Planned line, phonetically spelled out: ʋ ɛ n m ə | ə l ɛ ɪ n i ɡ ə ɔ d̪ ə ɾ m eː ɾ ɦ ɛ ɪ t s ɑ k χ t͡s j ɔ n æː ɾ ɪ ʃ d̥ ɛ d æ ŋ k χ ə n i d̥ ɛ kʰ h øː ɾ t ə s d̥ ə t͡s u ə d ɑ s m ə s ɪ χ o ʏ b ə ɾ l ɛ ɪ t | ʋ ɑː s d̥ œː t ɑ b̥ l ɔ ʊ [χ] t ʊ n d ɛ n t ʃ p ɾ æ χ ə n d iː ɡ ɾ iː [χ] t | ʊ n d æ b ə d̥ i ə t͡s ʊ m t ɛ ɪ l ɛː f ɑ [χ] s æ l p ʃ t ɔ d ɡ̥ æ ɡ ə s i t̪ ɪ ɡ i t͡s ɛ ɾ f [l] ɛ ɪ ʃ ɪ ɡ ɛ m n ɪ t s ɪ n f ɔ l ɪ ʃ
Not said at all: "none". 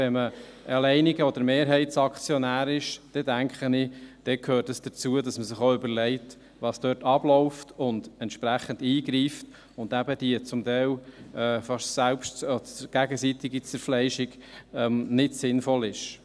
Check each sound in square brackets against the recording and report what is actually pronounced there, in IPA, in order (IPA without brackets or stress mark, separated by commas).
f, f, ʃ, l